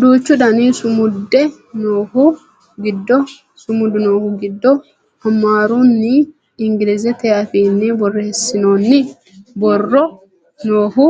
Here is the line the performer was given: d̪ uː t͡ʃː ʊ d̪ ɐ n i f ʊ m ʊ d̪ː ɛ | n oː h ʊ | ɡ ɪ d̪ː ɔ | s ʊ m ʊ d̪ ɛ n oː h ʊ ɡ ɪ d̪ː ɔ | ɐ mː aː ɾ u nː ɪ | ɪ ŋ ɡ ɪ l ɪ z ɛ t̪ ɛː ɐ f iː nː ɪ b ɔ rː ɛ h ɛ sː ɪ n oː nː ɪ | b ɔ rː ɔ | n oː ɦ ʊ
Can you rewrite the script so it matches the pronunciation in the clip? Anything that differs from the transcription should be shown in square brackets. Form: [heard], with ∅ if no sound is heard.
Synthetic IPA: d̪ uː t͡ʃː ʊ d̪ ɐ n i [s] ʊ m ʊ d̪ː ɛ | n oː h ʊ | ɡ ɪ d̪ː ɔ | s ʊ m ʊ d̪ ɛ n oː h ʊ ɡ ɪ d̪ː ɔ | ɐ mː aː ɾ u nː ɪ | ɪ ŋ ɡ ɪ l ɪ z ɛ t̪ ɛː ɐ f iː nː ɪ b ɔ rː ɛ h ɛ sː ɪ n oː nː ɪ | b ɔ rː ɔ | n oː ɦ ʊ